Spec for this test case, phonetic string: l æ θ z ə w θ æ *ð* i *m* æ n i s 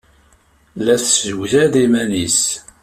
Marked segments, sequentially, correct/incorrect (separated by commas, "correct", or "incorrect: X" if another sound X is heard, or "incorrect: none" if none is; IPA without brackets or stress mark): correct, correct